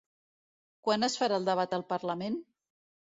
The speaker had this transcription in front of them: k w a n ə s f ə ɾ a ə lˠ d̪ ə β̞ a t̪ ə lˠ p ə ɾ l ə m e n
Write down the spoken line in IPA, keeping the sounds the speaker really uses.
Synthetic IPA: k w a n ə s f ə ɾ a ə lˠ d̪ ə β̞ a t̪ ə lˠ p ə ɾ l ə m e n